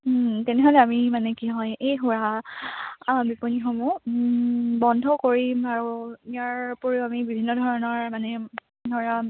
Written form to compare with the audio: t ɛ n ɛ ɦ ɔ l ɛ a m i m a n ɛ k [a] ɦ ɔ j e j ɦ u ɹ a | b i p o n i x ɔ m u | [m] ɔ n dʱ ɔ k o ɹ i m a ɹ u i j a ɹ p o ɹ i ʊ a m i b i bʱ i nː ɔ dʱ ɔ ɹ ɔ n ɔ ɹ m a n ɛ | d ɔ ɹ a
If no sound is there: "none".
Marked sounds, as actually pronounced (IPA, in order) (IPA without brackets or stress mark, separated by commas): i, b